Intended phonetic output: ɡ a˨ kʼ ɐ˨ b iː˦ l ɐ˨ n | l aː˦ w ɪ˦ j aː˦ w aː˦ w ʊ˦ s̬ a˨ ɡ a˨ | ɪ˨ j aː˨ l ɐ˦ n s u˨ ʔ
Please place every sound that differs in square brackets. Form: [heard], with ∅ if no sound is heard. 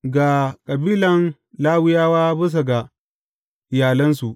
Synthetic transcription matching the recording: ɡ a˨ kʼ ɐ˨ b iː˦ l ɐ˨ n | l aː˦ w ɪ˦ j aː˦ w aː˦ [b] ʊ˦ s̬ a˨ ɡ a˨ | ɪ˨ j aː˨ l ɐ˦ n s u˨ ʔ